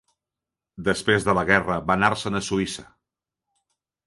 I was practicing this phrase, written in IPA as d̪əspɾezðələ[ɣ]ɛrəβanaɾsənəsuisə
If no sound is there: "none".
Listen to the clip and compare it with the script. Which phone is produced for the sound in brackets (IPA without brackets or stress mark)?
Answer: ɣ